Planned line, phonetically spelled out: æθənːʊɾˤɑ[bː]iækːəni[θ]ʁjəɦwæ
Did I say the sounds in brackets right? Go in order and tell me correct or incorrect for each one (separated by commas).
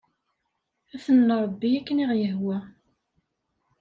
correct, incorrect